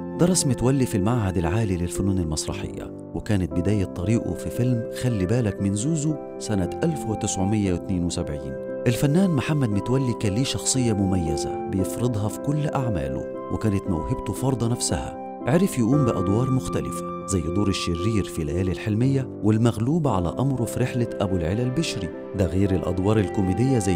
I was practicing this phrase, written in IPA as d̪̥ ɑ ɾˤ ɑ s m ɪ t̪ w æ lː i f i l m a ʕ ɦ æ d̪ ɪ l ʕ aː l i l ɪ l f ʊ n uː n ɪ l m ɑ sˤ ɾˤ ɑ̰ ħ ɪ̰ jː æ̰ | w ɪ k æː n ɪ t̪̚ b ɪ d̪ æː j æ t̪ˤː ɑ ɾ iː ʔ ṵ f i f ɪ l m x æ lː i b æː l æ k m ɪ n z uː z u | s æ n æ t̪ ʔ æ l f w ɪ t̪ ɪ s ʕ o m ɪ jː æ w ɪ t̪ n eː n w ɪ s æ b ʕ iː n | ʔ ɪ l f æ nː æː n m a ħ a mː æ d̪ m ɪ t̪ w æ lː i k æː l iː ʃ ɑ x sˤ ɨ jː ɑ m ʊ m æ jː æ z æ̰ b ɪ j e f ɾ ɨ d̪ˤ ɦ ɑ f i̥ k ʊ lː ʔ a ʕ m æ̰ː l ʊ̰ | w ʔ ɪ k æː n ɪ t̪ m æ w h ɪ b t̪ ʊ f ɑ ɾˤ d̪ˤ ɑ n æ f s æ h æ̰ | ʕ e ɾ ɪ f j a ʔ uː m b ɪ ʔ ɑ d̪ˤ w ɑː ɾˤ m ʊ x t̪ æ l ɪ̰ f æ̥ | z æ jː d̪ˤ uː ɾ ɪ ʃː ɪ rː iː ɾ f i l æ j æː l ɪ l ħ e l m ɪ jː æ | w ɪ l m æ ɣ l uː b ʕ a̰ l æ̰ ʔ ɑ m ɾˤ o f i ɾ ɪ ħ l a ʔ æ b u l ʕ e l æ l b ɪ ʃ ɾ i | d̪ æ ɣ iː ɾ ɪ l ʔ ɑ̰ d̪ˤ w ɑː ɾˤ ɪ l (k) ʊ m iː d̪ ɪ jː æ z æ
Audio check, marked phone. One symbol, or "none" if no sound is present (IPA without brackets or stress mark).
k